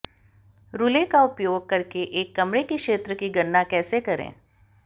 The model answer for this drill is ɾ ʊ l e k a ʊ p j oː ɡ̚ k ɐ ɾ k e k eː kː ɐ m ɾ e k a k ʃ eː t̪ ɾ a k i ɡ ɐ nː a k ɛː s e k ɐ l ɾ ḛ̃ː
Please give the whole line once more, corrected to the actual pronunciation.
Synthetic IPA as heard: ɾ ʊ l e k a ʊ p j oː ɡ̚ k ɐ ɾ k e ʔ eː kː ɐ m ɾ e k i k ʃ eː t̪ ɾ ə k i ɡ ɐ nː a k ɛː s e k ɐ ɾ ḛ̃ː